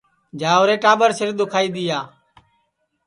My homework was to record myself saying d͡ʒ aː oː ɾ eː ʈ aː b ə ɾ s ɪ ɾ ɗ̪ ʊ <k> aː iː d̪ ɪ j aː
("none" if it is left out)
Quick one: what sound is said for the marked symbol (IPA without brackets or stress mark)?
kʰ